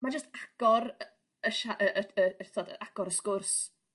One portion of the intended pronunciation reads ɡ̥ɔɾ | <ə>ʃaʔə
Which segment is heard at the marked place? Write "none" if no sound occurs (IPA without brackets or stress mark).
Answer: ə